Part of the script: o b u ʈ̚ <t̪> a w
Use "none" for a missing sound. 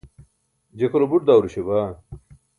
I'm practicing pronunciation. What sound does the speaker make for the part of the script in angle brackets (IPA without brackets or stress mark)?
d̪